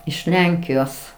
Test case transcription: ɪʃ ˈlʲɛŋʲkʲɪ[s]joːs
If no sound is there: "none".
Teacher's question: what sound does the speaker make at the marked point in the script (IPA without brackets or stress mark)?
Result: none